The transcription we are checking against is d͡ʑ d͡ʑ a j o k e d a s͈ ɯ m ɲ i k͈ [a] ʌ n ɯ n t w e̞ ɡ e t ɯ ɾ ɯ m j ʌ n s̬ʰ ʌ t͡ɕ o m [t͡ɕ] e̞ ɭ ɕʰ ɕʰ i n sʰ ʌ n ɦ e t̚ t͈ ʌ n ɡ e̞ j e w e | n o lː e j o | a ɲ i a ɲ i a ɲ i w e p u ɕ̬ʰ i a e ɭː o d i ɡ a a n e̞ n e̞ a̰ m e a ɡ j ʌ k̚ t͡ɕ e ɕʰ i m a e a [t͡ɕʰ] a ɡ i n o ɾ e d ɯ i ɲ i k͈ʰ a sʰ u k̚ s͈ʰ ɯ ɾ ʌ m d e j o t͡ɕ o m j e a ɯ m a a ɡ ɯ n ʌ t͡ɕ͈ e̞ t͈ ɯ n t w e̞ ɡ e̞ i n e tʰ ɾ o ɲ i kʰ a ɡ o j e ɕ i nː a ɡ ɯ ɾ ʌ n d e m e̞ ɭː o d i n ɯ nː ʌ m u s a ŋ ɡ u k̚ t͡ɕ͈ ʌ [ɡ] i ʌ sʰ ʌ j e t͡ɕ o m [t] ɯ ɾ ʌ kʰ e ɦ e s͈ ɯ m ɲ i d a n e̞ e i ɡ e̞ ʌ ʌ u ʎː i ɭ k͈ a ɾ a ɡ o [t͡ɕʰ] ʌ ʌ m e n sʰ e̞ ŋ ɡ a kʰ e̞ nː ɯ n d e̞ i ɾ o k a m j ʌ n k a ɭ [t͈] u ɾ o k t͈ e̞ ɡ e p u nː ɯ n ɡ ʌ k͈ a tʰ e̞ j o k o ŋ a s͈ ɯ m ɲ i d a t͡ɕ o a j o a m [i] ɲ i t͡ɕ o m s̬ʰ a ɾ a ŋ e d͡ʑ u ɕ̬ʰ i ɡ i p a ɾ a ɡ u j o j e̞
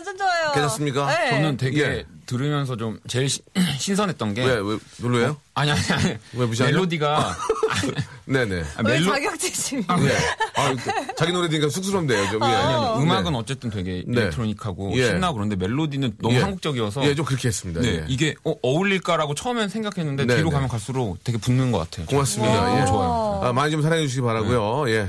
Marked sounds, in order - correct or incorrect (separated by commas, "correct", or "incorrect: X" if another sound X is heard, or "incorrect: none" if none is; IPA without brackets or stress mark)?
correct, correct, incorrect: t͡ɕ, correct, incorrect: k, correct, incorrect: s͈, incorrect: a